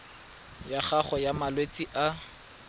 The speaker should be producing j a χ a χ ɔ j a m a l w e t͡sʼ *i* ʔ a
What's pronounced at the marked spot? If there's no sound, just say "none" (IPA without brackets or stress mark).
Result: i